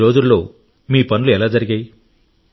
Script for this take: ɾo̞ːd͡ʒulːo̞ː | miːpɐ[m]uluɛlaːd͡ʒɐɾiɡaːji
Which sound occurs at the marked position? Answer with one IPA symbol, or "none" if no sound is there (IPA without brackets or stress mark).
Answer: n